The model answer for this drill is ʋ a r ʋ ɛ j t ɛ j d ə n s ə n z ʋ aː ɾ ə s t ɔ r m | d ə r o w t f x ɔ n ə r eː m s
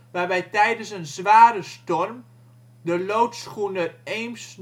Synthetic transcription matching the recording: ʋ a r ʋ ɛ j t ɛ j d ə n s ə n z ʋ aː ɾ ə s t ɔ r m | d ə l o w t s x u n ə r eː m s